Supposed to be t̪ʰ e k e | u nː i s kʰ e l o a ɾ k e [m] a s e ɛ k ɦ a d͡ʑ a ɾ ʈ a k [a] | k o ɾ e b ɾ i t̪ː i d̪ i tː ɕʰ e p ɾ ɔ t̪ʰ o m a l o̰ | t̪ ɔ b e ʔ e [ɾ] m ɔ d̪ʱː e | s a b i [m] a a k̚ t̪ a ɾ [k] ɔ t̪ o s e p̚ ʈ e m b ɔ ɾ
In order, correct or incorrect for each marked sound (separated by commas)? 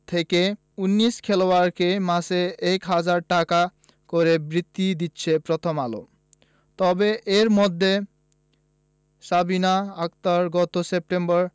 correct, correct, correct, incorrect, incorrect